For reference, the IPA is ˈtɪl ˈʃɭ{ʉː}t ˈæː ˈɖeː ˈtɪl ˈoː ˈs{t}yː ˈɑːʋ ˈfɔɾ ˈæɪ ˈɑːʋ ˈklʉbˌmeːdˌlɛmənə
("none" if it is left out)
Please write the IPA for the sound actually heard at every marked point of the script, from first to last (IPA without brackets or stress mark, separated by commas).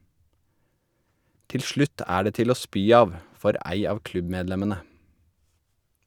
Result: ʉ, p